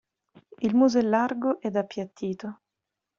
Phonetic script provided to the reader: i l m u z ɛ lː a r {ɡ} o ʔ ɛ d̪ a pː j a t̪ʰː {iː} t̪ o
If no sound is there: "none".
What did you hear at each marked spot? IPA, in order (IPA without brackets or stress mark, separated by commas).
ɡ, iː